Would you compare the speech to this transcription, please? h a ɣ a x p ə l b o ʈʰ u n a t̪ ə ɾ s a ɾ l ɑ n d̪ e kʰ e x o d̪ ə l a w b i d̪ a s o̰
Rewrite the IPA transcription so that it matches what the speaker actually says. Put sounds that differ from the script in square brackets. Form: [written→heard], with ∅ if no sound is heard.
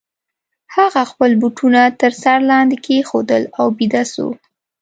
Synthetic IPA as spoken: h a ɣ a x p ə l b [o→u] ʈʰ u n a t̪ ə ɾ s a ɾ l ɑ n d̪ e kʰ e x o d̪ ə l a w b i d̪ a s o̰